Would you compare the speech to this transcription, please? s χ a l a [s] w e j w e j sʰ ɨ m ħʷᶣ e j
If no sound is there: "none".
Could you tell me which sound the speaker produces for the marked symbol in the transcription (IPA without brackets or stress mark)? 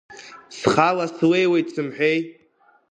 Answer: s